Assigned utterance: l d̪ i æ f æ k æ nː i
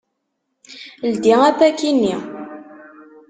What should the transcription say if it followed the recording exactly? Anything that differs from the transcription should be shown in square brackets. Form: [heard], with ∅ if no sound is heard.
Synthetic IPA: l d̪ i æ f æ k [i] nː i